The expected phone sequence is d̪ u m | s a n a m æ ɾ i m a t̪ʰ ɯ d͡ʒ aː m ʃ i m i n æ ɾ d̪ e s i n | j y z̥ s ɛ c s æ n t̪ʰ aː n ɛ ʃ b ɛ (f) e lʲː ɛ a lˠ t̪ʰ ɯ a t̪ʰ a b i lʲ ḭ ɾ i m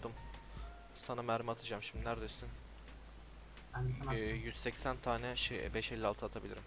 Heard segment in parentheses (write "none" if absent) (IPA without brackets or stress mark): ʃ